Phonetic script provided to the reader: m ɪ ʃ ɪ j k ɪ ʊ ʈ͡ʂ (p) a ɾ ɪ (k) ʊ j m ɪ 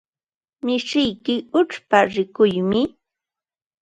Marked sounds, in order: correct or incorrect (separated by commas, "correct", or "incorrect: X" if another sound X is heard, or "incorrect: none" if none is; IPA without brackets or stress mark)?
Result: correct, correct